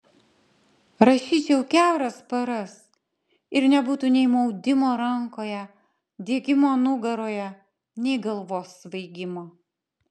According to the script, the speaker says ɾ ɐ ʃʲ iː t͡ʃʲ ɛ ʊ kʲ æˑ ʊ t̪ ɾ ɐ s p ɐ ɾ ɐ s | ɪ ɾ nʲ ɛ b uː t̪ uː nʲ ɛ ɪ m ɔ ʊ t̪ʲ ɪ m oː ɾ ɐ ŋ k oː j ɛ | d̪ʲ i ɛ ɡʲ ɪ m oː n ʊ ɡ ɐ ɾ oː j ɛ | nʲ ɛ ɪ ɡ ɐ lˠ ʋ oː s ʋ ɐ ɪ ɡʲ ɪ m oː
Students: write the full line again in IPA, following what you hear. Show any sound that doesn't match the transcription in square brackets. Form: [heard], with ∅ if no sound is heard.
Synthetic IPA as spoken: ɾ ɐ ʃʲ iː t͡ʃʲ ɛ ʊ kʲ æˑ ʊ [∅] ɾ ɐ s p ɐ ɾ ɐ s | ɪ ɾ nʲ ɛ b uː t̪ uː nʲ ɛ ɪ m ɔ ʊ [d̪ʲ] ɪ m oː ɾ ɐ ŋ k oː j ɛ | d̪ʲ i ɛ ɡʲ ɪ m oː n ʊ ɡ ɐ ɾ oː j ɛ | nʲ ɛ ɪ ɡ ɐ lˠ ʋ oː s ʋ ɐ ɪ ɡʲ ɪ m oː